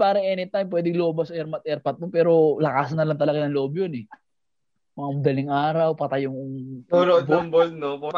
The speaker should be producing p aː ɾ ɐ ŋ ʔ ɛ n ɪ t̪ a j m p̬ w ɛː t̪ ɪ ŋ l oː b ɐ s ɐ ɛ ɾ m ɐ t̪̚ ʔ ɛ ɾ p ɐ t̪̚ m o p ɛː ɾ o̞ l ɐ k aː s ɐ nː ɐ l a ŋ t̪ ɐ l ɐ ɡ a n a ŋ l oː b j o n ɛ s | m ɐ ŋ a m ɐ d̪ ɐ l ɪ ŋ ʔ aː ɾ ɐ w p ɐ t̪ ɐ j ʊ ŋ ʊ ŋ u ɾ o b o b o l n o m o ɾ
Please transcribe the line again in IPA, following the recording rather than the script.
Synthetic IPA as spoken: p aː ɾ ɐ ŋ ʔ ɛ n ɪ t̪ a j m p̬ w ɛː d̪ ɪ ŋ l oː b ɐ s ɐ ɛ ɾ m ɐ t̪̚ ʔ ɛ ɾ p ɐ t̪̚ m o p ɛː ɾ o̞ l ɐ k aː s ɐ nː ɐ l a ŋ t̪ ɐ l ɐ ɡ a n ɐ ŋ l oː b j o n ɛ | m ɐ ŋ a m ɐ d̪ ɐ l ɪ ŋ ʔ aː ɾ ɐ w p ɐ t̪ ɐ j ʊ ŋ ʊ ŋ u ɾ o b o b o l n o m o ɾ